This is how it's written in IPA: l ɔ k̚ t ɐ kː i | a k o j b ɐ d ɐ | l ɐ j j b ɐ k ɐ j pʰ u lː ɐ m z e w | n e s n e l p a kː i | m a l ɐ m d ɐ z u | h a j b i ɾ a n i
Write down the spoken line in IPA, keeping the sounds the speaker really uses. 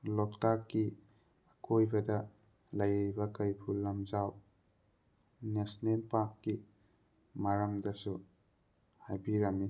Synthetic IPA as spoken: l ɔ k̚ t a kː i | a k o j b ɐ d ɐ | l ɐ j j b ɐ k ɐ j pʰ u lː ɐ m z a w | n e s n e l p a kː i | m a ɾ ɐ m d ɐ s u | h a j b i ɾ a m i